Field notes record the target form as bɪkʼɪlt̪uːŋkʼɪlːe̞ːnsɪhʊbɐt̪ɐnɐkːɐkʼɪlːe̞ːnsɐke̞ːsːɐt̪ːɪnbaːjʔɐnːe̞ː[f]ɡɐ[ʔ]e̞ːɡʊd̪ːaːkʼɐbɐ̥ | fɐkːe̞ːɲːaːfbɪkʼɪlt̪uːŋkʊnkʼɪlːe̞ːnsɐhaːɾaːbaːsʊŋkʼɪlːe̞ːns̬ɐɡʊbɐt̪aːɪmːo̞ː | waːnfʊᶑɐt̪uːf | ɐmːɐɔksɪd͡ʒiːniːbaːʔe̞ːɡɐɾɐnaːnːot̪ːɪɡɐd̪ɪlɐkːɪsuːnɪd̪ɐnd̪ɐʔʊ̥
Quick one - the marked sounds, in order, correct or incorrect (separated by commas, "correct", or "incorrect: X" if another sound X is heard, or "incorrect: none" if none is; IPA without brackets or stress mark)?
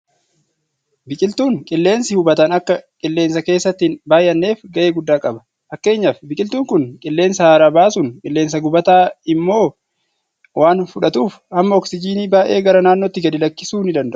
correct, correct